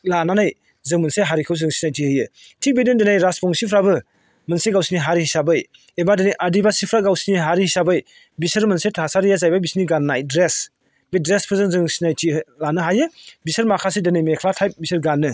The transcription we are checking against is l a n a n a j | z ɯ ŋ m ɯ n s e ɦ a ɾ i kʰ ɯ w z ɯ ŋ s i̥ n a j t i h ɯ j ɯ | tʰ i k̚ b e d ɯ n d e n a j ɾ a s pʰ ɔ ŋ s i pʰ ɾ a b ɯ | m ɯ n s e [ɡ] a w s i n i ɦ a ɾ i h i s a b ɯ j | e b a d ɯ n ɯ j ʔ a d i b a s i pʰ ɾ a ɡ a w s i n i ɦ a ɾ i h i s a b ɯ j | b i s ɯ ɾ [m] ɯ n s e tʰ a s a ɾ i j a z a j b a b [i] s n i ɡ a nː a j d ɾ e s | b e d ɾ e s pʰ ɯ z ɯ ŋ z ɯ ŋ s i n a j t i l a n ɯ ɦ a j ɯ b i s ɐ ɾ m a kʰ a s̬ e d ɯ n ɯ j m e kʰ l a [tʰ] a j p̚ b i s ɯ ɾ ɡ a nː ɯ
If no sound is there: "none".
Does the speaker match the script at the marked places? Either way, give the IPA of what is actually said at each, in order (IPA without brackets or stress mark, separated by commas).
ɡ, m, i, tʰ